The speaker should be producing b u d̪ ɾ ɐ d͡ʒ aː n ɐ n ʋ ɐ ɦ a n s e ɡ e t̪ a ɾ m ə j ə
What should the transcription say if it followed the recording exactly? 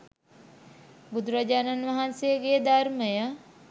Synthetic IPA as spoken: b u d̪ ɾ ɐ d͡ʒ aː n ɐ n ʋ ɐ ɦ a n s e ɡ e d̪ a ɾ m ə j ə